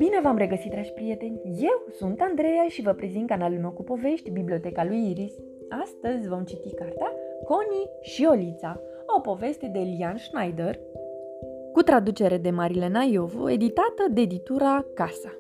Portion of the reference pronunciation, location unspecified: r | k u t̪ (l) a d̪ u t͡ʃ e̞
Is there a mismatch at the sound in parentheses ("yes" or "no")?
yes